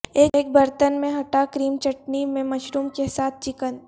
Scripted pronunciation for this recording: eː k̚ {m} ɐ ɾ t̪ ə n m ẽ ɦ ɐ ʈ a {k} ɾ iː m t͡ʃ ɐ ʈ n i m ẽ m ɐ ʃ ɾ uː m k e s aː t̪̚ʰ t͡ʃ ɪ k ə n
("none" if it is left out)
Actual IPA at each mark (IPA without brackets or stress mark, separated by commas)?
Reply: b, k